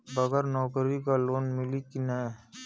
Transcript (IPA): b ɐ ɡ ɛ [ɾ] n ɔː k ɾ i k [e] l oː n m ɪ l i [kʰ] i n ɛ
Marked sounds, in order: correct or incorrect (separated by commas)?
correct, incorrect, incorrect